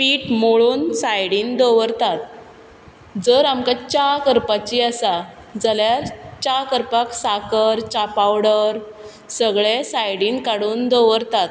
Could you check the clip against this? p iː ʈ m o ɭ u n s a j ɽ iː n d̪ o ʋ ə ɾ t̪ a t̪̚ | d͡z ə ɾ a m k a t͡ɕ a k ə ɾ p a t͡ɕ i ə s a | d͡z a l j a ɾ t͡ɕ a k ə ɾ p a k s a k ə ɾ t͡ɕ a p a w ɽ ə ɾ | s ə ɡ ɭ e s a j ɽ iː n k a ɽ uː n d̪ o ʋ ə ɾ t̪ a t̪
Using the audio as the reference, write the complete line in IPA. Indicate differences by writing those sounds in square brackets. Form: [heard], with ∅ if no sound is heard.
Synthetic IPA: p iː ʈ m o ɭ [uː] n s a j ɽ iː n d̪ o ʋ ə ɾ t̪ a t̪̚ | d͡z ə ɾ a m k a t͡ɕ a k ə ɾ p a t͡ɕ i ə s a | d͡z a l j a ɾ t͡ɕ a k ə ɾ p a k s a k ə ɾ t͡ɕ a p a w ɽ ə ɾ | s ə ɡ ɭ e s a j ɽ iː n k a ɽ uː n d̪ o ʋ ə ɾ t̪ a t̪